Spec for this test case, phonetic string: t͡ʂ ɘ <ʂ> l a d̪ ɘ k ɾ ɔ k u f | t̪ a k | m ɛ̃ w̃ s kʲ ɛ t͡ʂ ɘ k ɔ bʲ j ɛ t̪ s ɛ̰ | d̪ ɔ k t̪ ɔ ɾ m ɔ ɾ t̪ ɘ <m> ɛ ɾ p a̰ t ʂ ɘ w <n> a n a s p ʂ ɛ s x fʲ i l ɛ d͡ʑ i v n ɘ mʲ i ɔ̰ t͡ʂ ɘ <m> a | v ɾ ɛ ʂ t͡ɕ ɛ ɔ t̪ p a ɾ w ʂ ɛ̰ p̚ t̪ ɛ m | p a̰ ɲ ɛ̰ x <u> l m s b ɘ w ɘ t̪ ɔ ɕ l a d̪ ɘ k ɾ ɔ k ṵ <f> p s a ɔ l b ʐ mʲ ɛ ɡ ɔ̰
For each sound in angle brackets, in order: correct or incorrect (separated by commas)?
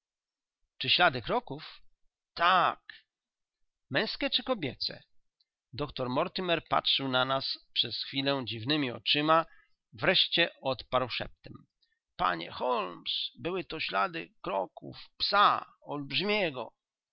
incorrect, correct, correct, correct, incorrect, correct